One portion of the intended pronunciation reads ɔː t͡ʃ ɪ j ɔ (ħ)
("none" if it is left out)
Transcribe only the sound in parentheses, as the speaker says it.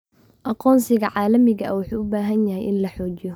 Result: none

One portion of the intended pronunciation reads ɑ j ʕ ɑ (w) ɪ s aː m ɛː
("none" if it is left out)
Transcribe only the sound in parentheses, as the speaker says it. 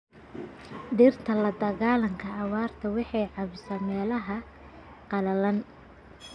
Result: β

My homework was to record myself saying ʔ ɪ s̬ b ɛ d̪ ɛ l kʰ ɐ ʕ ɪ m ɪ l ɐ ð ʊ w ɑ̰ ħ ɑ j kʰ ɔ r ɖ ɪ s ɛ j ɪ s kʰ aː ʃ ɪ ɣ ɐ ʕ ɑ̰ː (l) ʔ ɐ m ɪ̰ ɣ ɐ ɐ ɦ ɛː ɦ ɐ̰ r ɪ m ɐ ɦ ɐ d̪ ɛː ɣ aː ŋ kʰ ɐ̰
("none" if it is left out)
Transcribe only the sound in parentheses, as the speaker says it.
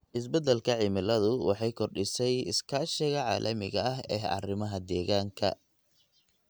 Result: l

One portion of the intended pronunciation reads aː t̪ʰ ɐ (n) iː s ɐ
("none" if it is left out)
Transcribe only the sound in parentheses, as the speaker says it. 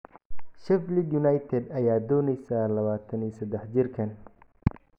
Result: n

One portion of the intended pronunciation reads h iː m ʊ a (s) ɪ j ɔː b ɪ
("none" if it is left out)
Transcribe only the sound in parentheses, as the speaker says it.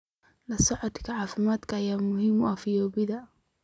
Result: f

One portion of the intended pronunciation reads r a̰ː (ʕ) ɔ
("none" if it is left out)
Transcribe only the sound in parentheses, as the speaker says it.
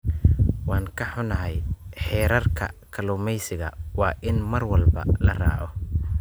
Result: ʕ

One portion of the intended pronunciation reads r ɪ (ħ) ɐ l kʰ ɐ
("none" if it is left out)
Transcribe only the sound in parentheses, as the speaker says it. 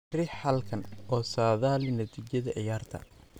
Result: ħ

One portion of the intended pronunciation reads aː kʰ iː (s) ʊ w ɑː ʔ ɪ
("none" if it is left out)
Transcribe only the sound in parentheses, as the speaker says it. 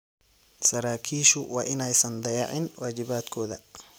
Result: ʃ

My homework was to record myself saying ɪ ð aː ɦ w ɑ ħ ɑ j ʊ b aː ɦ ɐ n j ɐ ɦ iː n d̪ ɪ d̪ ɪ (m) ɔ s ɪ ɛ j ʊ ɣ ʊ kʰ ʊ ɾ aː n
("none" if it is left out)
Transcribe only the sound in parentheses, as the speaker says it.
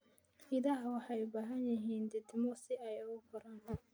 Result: m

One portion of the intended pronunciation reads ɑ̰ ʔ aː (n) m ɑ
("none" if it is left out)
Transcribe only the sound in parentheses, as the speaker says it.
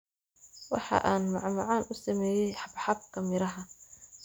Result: n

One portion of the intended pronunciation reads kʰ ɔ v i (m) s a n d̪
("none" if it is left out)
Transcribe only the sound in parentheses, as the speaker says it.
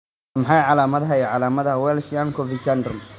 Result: none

